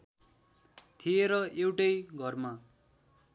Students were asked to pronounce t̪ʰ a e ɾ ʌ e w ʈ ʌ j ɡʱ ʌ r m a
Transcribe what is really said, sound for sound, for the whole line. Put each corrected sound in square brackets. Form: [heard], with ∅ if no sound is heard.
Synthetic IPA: t̪ʰ [i] e ɾ ʌ e w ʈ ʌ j ɡʱ ʌ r m a